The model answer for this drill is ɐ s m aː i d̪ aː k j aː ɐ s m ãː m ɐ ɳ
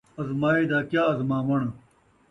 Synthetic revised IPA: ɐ z m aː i d̪ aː k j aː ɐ z m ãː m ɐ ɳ